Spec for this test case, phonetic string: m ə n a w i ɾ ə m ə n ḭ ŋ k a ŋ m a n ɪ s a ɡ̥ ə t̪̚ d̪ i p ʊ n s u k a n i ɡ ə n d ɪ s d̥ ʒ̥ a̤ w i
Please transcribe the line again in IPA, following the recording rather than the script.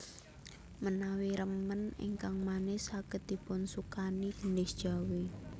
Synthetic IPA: m ə n a w i ɾ ə m ə n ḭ ŋ k a ŋ m a n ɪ s a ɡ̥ ə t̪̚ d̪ i p ʊ n s u k a n i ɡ ə n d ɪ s d̥ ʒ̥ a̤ w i